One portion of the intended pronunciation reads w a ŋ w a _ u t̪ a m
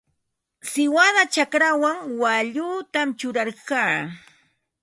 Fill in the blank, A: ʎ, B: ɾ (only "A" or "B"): A